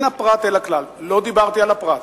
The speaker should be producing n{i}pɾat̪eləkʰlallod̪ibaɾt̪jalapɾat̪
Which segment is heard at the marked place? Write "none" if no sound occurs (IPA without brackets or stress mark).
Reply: a